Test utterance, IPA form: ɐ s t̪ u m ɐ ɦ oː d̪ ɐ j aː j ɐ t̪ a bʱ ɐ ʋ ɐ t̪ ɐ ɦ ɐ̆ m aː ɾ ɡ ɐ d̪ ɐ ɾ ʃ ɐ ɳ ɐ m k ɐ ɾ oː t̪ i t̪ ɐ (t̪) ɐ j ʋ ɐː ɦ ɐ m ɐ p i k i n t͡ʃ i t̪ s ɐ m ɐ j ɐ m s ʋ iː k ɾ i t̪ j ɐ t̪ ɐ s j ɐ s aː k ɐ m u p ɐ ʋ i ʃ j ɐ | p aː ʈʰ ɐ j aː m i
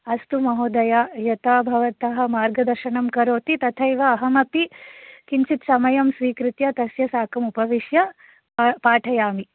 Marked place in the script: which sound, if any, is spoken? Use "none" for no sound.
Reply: t̪ʰ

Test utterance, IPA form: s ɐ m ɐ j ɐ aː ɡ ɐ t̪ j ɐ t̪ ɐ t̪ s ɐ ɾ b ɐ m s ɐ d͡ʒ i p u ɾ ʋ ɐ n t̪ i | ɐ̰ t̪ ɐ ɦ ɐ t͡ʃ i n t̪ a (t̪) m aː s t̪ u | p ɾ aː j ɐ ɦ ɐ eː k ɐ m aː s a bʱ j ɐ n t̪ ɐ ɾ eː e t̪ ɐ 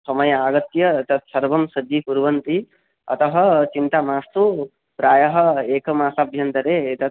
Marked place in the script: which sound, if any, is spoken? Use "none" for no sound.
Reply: none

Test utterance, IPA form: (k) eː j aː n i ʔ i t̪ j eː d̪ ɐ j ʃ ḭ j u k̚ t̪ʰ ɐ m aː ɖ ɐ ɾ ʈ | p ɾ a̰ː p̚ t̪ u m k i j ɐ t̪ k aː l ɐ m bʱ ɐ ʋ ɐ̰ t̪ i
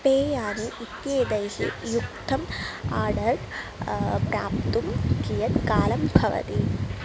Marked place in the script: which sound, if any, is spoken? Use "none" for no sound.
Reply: p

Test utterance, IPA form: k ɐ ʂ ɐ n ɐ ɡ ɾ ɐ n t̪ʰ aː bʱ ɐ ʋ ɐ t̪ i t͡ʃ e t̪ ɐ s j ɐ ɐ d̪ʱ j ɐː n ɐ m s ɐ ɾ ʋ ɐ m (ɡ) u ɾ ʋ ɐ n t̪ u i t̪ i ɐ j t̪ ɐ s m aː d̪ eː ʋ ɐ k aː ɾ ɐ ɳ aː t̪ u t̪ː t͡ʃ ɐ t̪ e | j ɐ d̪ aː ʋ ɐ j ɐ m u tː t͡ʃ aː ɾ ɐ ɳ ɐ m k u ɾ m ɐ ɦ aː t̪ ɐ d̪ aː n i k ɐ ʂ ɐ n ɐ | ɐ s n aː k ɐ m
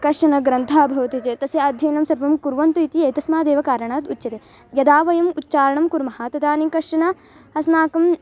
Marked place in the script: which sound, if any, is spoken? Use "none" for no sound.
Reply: k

